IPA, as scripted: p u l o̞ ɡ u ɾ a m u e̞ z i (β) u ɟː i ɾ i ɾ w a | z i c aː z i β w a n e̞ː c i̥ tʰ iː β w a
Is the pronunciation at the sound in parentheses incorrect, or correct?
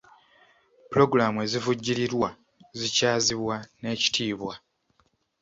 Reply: incorrect